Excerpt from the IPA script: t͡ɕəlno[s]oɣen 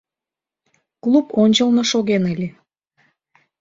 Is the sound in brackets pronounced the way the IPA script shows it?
no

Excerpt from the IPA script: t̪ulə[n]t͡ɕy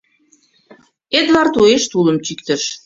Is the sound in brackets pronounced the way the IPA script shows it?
no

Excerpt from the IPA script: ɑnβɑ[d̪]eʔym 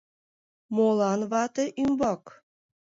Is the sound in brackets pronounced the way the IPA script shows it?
no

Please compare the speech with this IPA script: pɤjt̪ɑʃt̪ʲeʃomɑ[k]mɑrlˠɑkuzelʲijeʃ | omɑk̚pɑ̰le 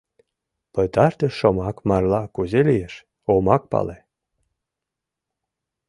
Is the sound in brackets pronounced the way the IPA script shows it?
yes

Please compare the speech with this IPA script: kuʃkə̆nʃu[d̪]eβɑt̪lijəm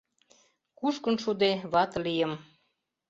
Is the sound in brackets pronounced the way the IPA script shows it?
yes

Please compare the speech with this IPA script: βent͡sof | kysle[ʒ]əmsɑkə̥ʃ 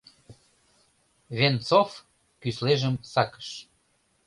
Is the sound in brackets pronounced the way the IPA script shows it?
yes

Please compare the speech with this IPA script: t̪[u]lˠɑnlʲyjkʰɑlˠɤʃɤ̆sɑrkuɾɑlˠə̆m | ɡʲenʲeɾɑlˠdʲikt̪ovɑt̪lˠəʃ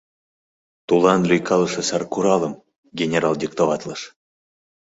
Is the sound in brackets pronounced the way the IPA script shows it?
yes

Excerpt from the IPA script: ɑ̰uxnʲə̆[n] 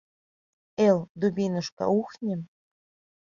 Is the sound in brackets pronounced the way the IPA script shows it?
no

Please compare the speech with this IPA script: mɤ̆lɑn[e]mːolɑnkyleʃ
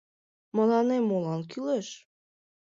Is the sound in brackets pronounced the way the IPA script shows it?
yes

